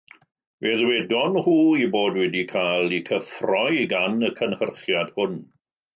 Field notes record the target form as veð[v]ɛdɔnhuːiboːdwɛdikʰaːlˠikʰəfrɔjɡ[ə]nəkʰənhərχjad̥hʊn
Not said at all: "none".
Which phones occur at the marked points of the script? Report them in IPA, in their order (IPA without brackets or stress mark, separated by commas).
w, a